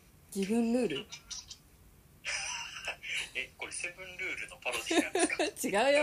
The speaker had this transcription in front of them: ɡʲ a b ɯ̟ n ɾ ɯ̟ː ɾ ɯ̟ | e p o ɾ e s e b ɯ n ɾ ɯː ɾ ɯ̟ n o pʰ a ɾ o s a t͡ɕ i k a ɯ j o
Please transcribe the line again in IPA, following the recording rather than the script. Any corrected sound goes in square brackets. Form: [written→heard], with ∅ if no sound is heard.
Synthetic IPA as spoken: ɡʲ [a→i] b [ɯ̟→ɯ̟̃] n ɾ ɯ̟ː ɾ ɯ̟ | e [p→k] o ɾ e s e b [ɯ→ɯ̃] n ɾ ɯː ɾ ɯ̟ n o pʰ a ɾ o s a t͡ɕ i [k→ɡ] a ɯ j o